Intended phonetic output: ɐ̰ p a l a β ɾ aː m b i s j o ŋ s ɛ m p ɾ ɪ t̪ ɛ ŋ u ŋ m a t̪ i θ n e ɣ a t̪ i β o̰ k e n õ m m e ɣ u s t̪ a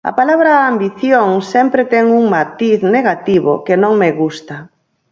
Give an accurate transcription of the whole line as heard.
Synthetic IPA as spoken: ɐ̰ p a l a β ɾ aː m b i θ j o ŋ s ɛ m p ɾ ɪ t̪ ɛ ŋ u ŋ m a t̪ i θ n e ɣ a t̪ i β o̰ k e n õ ŋ m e ɣ u s t̪ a